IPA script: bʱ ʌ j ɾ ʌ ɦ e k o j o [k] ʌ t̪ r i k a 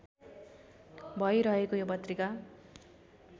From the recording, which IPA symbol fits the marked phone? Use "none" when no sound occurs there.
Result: p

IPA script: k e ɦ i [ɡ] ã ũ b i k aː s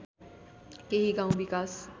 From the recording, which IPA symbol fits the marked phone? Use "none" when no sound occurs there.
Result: ɡ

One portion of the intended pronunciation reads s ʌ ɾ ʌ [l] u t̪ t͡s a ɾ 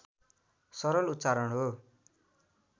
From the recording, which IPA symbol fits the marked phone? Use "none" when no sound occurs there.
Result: l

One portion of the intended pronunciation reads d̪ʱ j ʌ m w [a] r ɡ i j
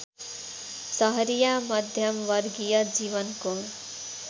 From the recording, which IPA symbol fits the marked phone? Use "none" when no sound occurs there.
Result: ʌ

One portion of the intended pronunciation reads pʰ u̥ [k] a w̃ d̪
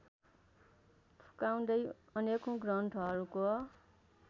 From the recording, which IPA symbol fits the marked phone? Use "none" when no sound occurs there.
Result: k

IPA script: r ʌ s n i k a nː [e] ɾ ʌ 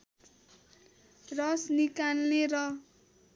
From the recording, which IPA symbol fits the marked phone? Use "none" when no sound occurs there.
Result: e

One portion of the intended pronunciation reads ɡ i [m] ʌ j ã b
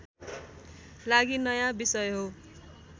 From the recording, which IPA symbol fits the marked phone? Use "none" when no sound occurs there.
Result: n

